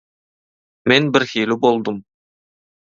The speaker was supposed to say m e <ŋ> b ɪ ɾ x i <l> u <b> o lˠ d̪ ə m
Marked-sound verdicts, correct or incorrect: incorrect: n, correct, correct

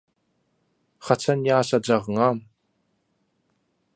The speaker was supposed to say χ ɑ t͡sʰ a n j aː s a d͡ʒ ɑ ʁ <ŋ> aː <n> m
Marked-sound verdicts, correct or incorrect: correct, incorrect: none

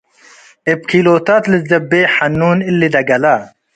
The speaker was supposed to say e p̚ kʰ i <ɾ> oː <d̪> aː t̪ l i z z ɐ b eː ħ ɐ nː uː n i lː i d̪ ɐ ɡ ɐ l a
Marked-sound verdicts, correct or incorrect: incorrect: l, incorrect: t̪

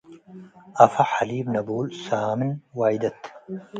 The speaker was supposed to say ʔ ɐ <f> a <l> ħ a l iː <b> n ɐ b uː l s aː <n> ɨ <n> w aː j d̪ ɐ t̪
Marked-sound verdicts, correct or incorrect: correct, incorrect: none, correct, incorrect: m, correct

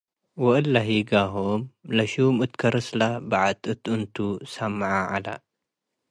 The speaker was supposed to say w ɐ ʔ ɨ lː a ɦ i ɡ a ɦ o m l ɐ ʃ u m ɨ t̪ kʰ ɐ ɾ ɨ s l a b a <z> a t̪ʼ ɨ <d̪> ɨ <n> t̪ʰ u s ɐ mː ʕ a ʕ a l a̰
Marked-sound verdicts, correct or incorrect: incorrect: ʕ, incorrect: t̪, correct

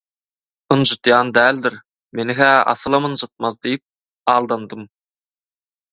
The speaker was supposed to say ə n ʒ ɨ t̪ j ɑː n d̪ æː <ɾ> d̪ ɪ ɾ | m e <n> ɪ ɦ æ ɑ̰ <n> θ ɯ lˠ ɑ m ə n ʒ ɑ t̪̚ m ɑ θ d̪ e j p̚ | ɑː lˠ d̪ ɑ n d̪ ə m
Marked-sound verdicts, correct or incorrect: incorrect: l, correct, incorrect: none

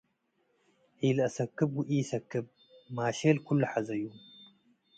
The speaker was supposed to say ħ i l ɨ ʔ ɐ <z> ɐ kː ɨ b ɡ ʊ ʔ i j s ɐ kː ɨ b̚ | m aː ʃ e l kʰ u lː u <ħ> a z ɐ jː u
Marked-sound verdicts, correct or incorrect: incorrect: s, correct

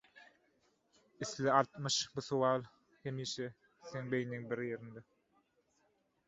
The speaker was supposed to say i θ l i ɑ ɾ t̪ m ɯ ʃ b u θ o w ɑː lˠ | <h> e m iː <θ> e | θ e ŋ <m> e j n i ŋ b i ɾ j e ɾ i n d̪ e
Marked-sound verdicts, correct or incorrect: correct, incorrect: ʃ, incorrect: b

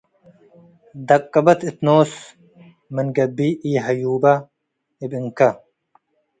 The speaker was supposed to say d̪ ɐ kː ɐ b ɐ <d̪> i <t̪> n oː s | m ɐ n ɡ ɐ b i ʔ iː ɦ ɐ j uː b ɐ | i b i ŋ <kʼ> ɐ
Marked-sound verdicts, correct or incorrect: incorrect: t̪, correct, incorrect: k

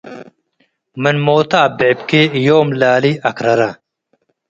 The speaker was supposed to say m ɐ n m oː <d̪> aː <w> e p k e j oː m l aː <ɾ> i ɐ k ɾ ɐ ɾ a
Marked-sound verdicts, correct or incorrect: incorrect: t̪, incorrect: b, incorrect: l

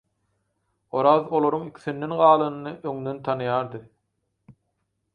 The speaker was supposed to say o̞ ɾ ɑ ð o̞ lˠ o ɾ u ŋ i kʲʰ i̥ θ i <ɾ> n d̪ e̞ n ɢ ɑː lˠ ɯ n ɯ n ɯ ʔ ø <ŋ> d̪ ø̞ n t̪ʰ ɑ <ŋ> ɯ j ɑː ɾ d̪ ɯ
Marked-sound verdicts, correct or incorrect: incorrect: none, correct, incorrect: n

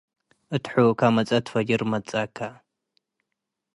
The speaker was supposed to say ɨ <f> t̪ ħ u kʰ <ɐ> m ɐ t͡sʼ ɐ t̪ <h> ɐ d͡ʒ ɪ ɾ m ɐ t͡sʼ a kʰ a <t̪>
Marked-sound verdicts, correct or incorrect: incorrect: none, incorrect: a, incorrect: f, incorrect: none

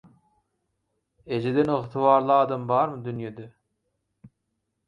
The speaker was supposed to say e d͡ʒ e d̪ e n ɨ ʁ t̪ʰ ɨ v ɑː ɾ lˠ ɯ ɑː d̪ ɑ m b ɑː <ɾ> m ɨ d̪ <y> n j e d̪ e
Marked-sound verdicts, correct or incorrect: correct, correct

